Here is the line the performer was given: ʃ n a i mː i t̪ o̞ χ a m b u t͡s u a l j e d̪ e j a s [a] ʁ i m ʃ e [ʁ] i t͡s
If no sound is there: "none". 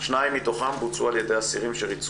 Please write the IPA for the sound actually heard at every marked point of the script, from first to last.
i, ʁ

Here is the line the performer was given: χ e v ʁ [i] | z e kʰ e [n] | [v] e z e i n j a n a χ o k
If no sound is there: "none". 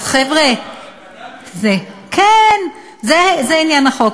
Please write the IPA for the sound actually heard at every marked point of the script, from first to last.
e, n, z

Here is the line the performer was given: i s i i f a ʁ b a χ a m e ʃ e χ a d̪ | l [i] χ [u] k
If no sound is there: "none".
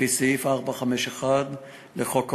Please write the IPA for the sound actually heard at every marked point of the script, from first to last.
e, o

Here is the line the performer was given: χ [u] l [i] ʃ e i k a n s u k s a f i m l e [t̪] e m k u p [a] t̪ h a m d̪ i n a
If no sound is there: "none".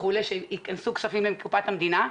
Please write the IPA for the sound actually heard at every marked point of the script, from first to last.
u, e, none, a

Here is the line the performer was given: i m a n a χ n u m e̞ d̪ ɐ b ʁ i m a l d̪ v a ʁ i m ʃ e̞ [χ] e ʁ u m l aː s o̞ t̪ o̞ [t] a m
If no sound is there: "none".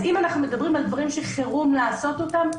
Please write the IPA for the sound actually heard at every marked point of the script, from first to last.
χ, t

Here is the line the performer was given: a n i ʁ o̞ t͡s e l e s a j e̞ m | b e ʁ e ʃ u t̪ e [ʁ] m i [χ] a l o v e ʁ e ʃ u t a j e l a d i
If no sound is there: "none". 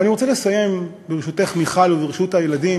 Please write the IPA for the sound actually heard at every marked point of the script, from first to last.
χ, χ

